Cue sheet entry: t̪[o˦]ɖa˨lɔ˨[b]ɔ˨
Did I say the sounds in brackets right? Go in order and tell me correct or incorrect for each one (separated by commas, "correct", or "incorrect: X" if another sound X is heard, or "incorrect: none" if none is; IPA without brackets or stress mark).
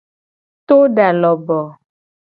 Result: correct, correct